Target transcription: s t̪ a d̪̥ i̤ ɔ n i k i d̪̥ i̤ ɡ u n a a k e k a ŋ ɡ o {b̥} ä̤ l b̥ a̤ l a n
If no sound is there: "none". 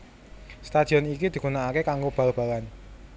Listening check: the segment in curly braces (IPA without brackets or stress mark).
b̥